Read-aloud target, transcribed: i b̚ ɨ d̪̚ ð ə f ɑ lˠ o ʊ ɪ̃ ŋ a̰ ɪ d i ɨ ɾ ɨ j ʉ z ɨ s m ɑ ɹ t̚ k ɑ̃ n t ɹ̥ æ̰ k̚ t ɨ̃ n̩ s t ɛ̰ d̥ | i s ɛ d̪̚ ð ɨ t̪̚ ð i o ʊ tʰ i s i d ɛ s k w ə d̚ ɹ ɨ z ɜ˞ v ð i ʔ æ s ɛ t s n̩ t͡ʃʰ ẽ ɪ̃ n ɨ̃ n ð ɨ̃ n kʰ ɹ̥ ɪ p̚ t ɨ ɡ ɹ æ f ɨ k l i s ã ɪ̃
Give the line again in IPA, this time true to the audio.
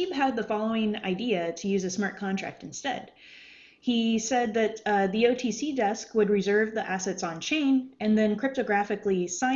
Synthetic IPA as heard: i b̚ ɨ d̪̚ ð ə f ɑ lˠ o ʊ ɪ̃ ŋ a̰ ɪ d i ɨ ɾ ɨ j ʉ z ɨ s m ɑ ɹ t̚ kʰ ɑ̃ n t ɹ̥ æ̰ k̚ t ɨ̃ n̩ s t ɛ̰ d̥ | i s ɛ d̪̚ ð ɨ t̪̚ ð i o ʊ tʰ i s i d ɛ s k w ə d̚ ɹ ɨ z ɜ˞ v ð i ʔ æ s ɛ t s n̩ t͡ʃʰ ẽ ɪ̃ n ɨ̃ n ð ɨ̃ n kʰ ɹ̥ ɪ p̚ t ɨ ɡ ɹ æ f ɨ k l i s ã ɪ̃

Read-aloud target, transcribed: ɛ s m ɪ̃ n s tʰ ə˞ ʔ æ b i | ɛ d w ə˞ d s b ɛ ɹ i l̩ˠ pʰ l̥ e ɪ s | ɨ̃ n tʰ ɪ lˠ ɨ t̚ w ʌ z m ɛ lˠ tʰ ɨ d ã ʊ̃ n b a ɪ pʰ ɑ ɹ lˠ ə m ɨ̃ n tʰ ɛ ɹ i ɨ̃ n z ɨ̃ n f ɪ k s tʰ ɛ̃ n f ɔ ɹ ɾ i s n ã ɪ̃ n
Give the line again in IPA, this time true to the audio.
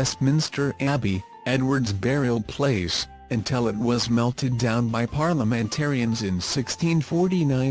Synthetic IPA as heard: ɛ s m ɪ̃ n s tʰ ə˞ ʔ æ b i | ɛ d w ə˞ d z b ɛ ɹ i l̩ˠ pʰ l̥ e ɪ s | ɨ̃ n tʰ ɪ lˠ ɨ t̚ w ʌ z m ɛ lˠ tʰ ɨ d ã ʊ̃ n b a ɪ pʰ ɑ ɹ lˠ ə m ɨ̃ n tʰ ɛ ɹ i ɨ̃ n z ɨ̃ n s ɪ k s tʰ ĩ n f ɔ ɹ ɾ i n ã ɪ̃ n

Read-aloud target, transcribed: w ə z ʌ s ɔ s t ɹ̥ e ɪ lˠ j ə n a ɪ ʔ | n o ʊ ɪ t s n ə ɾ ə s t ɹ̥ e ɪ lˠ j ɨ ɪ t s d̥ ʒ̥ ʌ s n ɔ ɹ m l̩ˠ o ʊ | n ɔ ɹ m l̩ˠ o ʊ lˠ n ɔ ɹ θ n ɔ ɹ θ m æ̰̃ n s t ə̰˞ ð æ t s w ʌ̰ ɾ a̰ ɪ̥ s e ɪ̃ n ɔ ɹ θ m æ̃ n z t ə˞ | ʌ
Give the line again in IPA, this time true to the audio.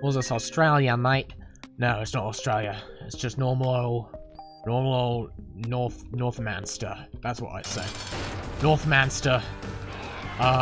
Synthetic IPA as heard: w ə z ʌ s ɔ s t ɹ̥ e ɪ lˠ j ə n a ɪ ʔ | n o ʊ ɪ t s n ə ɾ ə s t ɹ̥ e ɪ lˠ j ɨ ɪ t s d̥ ʒ̥ ʌ s n ɔ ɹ m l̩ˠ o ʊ | n ɔ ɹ m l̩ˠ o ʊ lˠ n ɔ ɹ θ n ɔ ɹ θ m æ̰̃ n s t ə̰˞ ð æ t s w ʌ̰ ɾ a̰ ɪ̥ s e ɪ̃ n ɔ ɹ θ m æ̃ n s t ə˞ | ʌ

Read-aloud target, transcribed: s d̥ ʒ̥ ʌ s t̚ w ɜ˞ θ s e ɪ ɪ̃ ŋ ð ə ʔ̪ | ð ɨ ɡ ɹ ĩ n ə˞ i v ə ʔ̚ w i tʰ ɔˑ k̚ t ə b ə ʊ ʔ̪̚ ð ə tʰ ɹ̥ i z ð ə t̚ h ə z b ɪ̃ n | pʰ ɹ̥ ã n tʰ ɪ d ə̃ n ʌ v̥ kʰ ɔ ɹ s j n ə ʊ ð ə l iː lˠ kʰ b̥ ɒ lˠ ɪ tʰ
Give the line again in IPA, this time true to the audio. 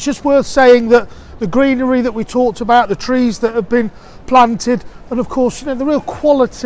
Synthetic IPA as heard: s d̥ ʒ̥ ʌ s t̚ w ɜ˞ θ s e ɪ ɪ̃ ŋ ð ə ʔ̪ | ð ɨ ɡ ɹ ĩ n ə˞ i ð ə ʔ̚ w i tʰ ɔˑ k̚ t ə b a ʊ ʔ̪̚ ð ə tʰ ɹ̥ i z ð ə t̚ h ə v b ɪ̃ n | pʰ l̥ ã n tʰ ɪ d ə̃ n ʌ v̥ kʰ ɔ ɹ s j n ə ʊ ð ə ɹ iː lˠ kʰ w̥ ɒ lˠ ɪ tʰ

